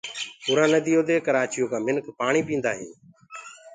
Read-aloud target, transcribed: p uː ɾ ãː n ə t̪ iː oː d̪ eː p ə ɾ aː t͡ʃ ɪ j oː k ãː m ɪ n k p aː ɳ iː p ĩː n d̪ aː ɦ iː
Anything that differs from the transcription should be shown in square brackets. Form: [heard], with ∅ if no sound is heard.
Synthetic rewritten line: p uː ɾ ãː n ə [d̪] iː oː d̪ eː [k] ə ɾ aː t͡ʃ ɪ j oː k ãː m ɪ n k p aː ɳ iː p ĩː n d̪ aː ɦ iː